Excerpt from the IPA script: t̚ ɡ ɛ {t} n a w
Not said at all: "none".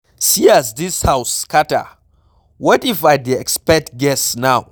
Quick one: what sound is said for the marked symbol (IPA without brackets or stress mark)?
s